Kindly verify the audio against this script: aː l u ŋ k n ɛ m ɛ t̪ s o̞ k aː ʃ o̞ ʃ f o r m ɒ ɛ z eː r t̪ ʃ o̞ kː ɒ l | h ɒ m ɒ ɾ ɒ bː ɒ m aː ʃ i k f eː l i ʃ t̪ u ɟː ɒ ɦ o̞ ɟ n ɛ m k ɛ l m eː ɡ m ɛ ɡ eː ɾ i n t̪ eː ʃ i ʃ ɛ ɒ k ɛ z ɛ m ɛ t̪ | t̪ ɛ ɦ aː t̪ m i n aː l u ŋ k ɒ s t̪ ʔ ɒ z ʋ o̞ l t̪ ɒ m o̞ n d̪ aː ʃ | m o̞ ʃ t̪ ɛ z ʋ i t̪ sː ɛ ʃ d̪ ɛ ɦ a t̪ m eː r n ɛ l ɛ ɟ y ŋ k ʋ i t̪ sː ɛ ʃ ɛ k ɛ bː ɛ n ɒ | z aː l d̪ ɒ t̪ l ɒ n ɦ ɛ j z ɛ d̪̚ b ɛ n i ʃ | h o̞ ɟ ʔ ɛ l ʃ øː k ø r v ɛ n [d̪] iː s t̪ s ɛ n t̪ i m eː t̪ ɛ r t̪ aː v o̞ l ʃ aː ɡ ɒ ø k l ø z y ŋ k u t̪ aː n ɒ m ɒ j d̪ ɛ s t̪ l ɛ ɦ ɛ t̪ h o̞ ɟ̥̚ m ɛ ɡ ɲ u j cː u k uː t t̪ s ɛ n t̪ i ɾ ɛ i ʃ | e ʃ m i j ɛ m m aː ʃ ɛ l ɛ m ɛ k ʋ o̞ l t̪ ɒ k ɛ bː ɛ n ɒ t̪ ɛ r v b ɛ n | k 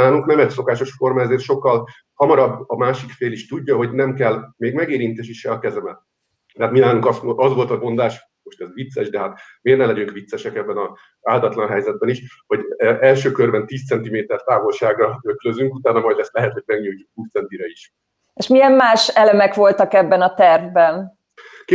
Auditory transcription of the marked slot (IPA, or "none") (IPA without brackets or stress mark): t̪